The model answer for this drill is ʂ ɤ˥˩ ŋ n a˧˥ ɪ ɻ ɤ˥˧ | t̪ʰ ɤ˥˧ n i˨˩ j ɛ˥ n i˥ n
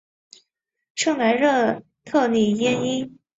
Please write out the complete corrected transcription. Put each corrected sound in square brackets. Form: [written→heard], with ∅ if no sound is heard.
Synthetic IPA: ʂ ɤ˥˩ ŋ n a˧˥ ɪ ɻ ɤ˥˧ | t̪ʰ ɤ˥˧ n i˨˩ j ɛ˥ n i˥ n